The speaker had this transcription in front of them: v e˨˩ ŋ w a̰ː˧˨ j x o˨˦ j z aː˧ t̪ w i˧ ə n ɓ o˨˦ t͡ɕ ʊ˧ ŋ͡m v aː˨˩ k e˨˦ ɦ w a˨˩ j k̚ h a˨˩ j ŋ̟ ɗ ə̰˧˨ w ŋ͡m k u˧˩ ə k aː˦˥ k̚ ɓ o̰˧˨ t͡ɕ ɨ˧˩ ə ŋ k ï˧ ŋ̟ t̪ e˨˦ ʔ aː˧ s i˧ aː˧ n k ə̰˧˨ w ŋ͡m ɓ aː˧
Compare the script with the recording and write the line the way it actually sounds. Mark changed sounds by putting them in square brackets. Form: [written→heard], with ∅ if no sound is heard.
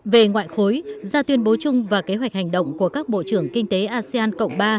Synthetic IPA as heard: v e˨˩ ŋ w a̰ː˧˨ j x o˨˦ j z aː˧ t̪ w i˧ ə n ɓ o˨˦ t͡ɕ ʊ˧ ŋ͡m v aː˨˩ k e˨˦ ɦ w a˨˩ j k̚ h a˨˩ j ŋ̟ ɗ ə̰˧˨ w ŋ͡m k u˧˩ ə k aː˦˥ k̚ ɓ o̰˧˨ t͡ɕ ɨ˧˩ ə ŋ k ï˧ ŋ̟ t̪ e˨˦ ʔ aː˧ s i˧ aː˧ n k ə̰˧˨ w ŋ͡m ɓ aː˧